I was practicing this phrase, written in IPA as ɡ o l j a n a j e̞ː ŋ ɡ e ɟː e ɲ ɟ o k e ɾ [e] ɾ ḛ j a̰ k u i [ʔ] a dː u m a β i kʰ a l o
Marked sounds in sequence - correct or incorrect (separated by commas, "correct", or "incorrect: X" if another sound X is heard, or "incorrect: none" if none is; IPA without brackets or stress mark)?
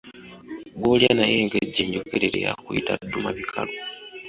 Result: correct, incorrect: t